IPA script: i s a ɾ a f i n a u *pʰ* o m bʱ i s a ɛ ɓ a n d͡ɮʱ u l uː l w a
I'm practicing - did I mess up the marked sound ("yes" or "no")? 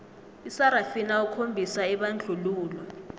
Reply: yes